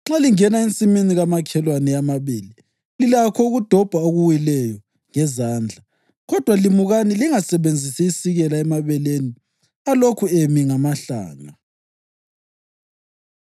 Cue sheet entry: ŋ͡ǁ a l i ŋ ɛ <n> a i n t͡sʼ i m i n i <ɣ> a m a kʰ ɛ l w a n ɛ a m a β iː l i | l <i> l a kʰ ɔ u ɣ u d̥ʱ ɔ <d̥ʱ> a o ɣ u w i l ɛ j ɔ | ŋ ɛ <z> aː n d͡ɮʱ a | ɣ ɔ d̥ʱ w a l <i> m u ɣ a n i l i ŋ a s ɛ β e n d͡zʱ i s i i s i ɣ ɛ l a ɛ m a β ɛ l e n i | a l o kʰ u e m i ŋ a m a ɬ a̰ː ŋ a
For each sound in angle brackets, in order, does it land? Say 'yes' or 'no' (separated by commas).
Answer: yes, yes, yes, no, yes, yes